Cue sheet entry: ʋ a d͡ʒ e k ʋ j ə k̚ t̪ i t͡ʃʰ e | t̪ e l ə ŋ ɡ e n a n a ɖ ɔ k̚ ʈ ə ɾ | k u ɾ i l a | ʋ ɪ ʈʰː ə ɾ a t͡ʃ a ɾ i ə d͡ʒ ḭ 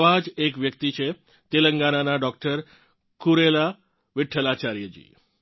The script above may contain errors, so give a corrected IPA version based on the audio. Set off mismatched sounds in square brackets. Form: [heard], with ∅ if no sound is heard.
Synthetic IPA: ʋ a d͡ʒ e k ʋ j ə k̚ t̪ i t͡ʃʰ e | t̪ e l ə ŋ ɡ [a] n a n a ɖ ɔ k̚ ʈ ə ɾ | k u ɾ [e] l a | ʋ ɪ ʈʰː ə [l] a t͡ʃ a ɾ [j] ə d͡ʒ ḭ